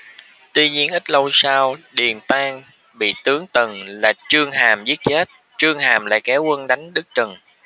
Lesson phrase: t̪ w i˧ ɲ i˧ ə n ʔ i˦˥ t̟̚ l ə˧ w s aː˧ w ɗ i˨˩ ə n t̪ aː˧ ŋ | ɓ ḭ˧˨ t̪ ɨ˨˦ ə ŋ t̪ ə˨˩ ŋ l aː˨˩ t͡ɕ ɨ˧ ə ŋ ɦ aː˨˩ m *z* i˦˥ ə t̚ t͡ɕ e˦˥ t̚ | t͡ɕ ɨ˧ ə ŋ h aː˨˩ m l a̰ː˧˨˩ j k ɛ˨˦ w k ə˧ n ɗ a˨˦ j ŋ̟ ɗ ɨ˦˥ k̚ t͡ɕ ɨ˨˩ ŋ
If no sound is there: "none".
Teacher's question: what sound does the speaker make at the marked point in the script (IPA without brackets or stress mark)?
z